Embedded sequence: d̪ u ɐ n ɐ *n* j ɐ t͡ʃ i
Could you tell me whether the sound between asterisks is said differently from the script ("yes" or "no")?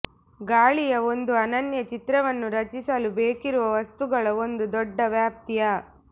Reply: no